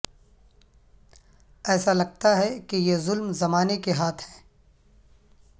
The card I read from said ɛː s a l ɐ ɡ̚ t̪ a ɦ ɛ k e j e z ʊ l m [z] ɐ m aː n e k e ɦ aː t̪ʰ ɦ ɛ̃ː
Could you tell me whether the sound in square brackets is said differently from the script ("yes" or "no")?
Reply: no